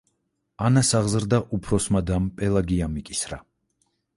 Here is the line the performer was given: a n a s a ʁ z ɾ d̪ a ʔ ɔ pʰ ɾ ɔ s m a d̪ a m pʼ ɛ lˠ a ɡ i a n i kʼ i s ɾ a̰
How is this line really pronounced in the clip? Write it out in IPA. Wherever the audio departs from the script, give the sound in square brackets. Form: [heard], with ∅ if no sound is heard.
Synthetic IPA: a n a s a ʁ z ɾ d̪ a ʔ [u] pʰ ɾ ɔ s m a d̪ a m pʼ ɛ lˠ a ɡ i a [m] i kʼ i s ɾ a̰